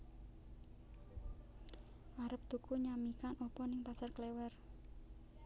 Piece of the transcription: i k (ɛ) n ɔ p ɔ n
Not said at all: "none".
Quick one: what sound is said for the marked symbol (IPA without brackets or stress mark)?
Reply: a